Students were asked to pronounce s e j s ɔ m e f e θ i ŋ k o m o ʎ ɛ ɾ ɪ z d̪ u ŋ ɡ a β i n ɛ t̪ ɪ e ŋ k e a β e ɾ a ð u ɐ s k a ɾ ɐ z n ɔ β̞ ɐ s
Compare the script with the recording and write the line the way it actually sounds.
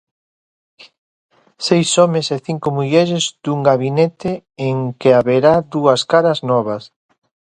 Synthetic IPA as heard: s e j s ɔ m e s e θ i ŋ k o m u ʎ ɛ ɾ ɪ z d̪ u ŋ ɡ a β i n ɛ t̪ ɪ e ŋ k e a β e ɾ a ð u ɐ s k a ɾ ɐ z n ɔ β̞ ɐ s